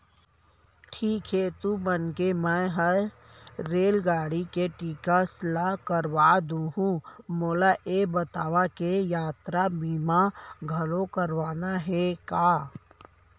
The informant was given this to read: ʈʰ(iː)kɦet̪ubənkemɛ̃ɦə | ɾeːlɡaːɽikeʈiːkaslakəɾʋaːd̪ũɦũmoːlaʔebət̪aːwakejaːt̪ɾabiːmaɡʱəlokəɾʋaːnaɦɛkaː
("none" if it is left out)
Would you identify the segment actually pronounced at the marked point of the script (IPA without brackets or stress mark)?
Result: iː